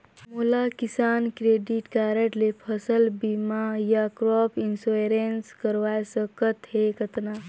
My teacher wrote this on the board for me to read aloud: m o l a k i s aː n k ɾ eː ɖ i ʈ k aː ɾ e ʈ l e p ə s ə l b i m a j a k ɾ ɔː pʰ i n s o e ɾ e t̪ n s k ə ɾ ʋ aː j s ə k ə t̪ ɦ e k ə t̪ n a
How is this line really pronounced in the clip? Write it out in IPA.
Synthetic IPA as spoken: m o l a k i s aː n k ɾ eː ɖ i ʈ k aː ɾ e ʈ l e pʰ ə s ə l b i m a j a k ɾ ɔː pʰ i n s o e ɾ e n s k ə ɾ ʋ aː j s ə k ə t̪ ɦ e k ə t̪ n a